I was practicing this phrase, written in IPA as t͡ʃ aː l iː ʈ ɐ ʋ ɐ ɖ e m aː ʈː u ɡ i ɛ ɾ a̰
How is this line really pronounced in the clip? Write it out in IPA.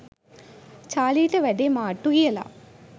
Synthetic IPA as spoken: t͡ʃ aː l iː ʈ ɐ ʋ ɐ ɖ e m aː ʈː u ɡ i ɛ l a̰